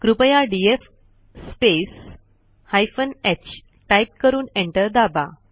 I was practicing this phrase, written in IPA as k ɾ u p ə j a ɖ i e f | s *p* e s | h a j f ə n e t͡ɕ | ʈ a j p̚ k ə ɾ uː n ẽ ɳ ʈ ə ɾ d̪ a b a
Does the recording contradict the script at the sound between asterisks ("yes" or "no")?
no